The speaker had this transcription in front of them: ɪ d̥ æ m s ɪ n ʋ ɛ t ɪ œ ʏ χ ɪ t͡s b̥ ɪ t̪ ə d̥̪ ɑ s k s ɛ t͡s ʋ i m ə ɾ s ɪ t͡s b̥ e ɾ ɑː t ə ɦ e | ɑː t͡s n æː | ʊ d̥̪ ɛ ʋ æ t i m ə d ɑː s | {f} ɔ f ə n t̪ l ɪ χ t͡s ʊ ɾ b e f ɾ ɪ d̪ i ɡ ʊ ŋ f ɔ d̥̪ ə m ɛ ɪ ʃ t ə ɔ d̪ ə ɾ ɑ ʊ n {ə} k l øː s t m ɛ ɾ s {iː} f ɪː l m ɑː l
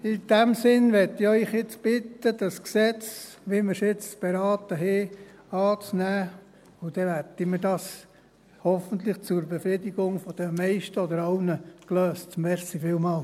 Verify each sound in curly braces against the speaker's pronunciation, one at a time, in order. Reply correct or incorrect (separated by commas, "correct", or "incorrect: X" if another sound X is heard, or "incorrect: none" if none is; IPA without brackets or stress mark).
incorrect: h, correct, incorrect: i